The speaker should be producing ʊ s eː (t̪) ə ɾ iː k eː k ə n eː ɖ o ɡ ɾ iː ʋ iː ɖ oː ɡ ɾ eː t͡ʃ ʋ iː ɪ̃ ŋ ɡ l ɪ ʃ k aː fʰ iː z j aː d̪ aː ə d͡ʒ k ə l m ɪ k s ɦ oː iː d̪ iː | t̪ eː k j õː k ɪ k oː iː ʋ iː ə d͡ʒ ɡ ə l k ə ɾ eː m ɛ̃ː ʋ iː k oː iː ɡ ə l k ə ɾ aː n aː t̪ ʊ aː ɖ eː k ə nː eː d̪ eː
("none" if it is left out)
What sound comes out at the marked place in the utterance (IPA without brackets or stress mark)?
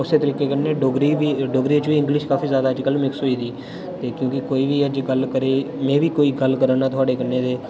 t̪